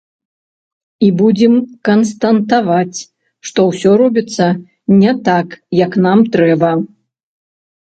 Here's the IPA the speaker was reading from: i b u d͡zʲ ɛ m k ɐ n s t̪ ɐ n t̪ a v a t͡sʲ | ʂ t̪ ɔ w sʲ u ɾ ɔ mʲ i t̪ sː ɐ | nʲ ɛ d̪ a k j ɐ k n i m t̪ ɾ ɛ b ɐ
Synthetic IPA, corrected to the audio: i b u d͡zʲ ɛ m k ɐ n s t̪ ɐ n t̪ a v a t͡sʲ | ʂ t̪ ɔ w sʲ ɔ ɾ ɔ bʲ i t̪ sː ɐ | nʲ ɛ t̪ a k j ɐ k n a m t̪ ɾ ɛ b ɐ